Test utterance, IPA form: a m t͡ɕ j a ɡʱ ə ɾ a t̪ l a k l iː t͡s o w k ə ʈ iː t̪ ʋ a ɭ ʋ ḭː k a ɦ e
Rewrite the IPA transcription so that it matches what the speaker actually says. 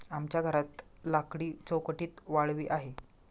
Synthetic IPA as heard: a m t͡ɕ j a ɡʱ ə ɾ a t̪ l a k ɽ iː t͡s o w k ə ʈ iː t̪ ʋ a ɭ ʋ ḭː ʔ a ɦ e